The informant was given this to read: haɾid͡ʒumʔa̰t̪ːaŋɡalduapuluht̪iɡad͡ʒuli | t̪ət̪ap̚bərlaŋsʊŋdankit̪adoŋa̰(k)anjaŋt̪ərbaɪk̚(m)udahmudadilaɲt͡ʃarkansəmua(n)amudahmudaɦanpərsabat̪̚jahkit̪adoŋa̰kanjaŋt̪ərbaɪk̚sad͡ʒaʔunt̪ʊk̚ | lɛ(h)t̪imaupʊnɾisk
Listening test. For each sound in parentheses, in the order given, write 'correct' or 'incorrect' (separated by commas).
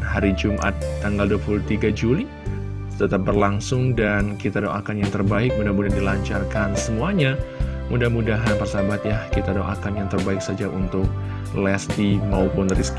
correct, correct, incorrect, incorrect